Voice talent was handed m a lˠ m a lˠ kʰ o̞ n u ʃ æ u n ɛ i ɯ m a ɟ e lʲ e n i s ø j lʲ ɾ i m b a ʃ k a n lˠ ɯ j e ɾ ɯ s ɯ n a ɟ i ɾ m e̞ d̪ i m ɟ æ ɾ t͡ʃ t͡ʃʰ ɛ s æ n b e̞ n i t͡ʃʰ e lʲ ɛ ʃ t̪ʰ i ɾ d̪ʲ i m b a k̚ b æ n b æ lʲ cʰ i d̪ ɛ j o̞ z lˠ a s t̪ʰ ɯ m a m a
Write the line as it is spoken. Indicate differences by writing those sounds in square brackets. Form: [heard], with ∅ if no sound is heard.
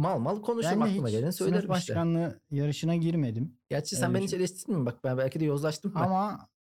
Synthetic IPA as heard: m a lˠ m a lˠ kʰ o̞ n u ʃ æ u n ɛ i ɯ m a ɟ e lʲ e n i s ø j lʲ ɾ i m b a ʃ k a n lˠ ɯ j [a] ɾ ɯ [ʃ] ɯ n a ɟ i ɾ m e̞ d̪ i m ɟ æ ɾ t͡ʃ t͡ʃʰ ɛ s æ n b e̞ n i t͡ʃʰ e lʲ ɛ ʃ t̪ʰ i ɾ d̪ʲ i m b a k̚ b æ n b æ lʲ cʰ i d̪ ɛ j o̞ z lˠ a [ʃ] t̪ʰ ɯ m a m a